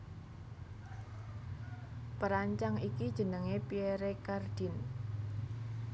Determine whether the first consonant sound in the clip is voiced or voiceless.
voiceless